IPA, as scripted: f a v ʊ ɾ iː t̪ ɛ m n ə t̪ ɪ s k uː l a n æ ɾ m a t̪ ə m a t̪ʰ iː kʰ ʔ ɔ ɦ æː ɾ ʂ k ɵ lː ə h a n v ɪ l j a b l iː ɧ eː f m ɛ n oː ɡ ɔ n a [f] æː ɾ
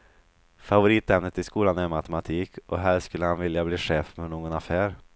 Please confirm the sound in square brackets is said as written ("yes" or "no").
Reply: yes